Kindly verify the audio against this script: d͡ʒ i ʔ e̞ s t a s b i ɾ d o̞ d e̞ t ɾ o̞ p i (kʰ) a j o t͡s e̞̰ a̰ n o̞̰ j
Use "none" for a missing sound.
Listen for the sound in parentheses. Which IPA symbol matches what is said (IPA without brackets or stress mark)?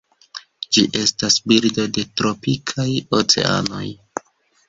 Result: kʰ